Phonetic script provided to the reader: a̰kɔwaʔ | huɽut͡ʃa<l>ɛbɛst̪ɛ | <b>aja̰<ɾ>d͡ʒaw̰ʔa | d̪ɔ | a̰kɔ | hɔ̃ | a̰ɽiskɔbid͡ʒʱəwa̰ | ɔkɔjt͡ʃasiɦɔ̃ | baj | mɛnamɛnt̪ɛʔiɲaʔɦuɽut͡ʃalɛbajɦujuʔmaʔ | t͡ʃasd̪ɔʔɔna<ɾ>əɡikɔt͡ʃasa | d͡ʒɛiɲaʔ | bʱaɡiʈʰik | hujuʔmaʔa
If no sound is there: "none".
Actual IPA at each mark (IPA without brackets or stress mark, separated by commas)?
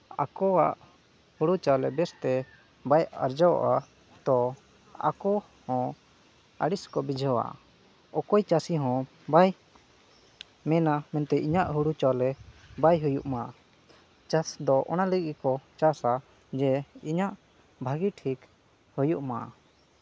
l, b, ɾ, l